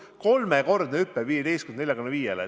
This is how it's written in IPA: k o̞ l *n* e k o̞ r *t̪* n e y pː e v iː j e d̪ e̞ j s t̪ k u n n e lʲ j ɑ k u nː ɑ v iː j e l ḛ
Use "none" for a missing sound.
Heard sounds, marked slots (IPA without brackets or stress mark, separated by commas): m, d̪